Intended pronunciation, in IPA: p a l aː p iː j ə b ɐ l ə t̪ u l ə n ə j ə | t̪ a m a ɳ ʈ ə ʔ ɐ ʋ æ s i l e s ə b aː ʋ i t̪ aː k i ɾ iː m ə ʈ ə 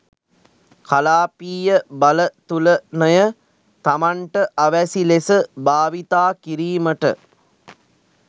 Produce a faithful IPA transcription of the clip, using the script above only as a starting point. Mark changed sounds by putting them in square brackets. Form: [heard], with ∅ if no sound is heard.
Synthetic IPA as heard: [k] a l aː p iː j ə b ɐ l ə t̪ u l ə n ə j ə | t̪ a m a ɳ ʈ ə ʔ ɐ ʋ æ s i l e s ə b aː ʋ i t̪ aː k i ɾ iː m ə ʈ ə